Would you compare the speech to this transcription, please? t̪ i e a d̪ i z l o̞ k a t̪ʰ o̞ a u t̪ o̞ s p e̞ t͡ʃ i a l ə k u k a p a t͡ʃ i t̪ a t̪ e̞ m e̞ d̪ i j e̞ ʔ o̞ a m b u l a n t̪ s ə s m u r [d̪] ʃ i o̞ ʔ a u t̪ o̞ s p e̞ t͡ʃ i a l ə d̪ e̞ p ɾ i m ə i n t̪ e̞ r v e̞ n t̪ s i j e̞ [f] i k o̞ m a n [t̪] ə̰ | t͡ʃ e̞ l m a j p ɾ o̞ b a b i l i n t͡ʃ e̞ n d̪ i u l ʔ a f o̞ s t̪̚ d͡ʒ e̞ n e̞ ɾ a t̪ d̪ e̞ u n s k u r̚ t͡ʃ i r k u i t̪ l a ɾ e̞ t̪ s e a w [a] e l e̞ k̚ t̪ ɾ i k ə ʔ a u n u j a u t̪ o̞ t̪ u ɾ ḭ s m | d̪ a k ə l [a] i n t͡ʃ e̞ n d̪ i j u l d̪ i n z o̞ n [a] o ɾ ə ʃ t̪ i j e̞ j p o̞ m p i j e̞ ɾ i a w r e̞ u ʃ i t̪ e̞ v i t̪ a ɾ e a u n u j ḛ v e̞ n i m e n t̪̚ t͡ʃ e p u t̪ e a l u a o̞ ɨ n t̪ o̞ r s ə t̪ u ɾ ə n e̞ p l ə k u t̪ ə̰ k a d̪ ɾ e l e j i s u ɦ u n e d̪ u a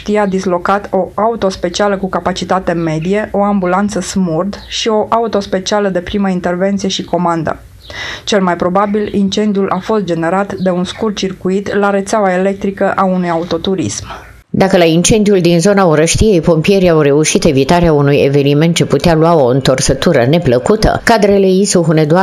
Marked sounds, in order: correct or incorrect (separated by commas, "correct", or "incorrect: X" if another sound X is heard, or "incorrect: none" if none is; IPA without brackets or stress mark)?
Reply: correct, incorrect: ʃ, incorrect: d̪, correct, correct, correct